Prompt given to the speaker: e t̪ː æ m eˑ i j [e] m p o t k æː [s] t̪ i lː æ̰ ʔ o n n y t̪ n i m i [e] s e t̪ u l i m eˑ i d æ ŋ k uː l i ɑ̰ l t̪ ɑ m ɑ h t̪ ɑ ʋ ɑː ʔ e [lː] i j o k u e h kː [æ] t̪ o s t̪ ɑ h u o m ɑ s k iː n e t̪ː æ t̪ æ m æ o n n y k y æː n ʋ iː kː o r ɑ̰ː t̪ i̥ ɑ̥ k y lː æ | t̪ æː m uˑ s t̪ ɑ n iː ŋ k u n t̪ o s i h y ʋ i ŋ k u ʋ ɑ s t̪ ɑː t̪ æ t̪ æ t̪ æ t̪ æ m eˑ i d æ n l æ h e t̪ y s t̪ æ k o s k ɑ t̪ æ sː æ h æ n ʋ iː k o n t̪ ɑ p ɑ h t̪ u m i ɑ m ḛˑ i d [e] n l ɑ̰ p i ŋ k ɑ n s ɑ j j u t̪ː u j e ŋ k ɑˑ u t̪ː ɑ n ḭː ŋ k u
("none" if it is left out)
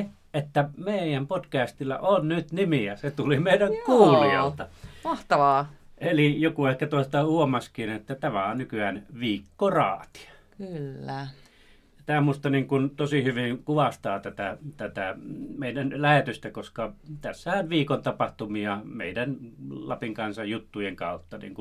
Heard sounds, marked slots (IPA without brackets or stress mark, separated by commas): æ, s, æ, l, æ, æ